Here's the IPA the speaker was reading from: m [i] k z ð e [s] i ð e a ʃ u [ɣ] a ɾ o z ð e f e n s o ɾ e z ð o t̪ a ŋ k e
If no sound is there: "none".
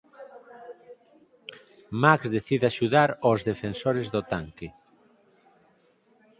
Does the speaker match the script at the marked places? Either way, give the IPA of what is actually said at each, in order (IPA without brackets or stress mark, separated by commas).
a, θ, ð